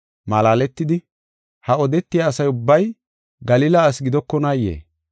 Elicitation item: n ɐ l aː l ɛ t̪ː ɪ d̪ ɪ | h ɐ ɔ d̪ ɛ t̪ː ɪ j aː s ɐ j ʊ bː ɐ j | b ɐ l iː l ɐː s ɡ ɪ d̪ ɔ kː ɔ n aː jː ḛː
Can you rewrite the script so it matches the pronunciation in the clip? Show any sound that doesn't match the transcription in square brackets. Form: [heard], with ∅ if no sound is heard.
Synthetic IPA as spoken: [m] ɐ l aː l ɛ t̪ː ɪ d̪ ɪ | h ɐ ɔ d̪ ɛ t̪ː ɪ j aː s ɐ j ʊ bː ɐ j | [ɡ] ɐ l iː l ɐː s ɡ ɪ d̪ ɔ kː ɔ n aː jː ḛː